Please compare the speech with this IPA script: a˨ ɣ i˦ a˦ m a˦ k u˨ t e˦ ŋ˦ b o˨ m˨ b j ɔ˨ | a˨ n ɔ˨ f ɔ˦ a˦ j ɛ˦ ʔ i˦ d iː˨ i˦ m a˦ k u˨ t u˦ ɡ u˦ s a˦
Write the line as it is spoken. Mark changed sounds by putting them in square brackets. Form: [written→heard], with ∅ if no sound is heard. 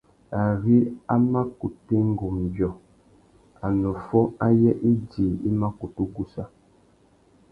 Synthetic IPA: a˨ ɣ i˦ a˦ m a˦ k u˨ t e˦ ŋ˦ [b→ɡ] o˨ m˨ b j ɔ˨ | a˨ n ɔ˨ f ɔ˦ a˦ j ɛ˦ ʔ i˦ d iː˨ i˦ m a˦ k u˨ t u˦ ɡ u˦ s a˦